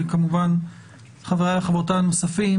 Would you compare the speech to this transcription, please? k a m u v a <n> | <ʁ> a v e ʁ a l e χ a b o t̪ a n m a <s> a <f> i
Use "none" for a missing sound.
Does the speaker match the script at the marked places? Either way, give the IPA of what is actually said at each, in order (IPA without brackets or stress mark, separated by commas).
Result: n, χ, s, f